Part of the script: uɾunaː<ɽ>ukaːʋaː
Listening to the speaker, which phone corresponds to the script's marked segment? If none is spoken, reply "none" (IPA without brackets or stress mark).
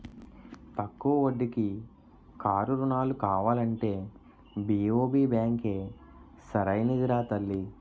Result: l